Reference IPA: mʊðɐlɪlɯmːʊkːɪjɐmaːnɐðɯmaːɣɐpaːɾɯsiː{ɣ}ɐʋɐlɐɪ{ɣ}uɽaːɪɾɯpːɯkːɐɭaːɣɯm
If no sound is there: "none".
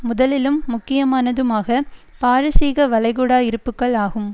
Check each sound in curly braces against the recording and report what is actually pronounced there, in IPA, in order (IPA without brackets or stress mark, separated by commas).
ɣ, ɣ